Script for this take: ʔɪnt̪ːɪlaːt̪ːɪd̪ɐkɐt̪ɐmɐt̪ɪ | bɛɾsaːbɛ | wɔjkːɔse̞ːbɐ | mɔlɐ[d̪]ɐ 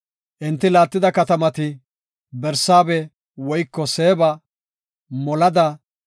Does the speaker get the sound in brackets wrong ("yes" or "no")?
no